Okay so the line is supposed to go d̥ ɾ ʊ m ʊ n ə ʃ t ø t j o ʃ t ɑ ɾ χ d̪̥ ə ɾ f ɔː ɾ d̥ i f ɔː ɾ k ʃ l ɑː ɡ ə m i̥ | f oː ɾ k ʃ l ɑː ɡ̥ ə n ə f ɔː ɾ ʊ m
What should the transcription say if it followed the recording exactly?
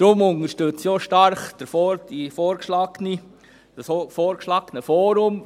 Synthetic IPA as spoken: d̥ ɾ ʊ m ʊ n ə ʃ t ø t͡s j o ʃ t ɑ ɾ χ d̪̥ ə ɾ f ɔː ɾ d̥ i f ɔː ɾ k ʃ l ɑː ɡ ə n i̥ | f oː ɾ k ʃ l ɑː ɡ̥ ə n ə f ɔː ɾ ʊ m